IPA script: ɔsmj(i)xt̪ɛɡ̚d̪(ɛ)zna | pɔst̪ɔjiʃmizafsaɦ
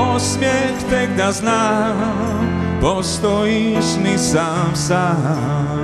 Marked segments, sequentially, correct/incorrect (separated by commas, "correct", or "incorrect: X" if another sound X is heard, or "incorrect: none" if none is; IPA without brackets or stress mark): incorrect: ɛ, incorrect: a